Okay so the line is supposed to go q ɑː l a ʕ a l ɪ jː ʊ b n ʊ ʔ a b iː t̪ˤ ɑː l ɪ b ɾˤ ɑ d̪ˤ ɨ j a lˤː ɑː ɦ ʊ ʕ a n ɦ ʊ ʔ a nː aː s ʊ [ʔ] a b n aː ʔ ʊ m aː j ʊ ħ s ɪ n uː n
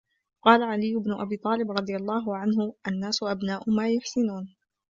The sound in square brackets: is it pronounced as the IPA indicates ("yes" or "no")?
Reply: yes